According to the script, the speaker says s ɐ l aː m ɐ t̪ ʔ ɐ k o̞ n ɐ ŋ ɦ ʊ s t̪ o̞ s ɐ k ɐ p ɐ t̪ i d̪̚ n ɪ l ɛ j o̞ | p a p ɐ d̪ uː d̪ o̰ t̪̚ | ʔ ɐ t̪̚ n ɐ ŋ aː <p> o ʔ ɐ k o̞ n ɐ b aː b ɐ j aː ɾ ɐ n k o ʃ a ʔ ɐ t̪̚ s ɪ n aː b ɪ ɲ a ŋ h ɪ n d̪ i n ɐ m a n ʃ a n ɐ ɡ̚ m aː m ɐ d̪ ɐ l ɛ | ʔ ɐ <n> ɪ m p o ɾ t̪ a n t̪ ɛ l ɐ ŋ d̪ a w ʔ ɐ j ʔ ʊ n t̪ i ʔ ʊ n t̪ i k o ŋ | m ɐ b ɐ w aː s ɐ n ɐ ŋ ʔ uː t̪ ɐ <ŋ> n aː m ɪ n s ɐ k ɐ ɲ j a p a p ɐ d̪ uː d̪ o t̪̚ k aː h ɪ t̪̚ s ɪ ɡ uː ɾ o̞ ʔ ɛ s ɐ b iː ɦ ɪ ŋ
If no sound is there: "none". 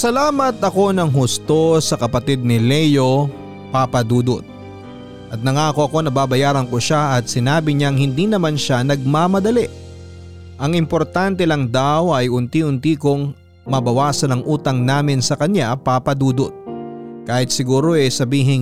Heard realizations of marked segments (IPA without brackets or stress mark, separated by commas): k, ŋ, ŋ